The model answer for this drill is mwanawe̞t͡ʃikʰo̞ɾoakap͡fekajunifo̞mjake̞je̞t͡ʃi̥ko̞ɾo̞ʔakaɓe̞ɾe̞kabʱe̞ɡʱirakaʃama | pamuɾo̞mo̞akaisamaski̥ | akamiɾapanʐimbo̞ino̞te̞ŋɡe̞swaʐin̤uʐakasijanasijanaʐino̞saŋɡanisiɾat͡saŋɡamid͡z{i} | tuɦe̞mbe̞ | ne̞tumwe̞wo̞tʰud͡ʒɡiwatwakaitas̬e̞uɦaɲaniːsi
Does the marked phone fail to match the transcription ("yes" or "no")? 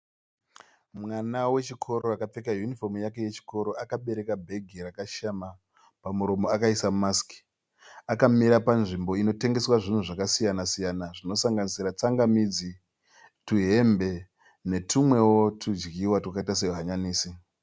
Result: no